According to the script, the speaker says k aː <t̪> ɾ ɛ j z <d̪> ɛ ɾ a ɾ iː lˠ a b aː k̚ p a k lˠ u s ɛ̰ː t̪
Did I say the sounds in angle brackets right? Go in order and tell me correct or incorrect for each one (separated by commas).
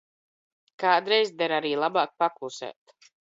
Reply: incorrect, correct